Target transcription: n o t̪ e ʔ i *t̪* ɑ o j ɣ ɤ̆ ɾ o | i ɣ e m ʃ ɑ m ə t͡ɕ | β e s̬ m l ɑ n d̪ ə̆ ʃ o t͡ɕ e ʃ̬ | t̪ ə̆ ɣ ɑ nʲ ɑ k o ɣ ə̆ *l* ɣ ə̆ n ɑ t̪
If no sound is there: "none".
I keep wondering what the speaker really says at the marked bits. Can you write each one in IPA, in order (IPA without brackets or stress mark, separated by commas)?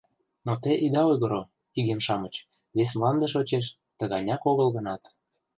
d̪, l